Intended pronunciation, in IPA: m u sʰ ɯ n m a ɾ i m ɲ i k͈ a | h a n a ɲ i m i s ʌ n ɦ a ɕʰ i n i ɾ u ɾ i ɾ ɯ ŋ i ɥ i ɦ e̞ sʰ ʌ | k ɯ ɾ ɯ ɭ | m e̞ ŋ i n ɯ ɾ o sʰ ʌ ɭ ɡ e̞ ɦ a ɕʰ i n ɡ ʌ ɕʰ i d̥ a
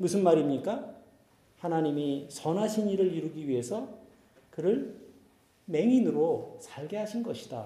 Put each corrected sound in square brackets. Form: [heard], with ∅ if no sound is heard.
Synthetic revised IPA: m u sʰ ɯ n m a ɾ i m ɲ i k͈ a | h a n a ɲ i m i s ʌ n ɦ a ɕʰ i n i ɾ [ɯ] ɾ i ɾ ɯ [ɡ] i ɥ i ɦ e̞ sʰ ʌ | k ɯ ɾ ɯ ɭ | m e̞ ŋ i n ɯ ɾ o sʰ [a] ɭ ɡ e̞ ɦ a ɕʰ i n ɡ ʌ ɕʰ i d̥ a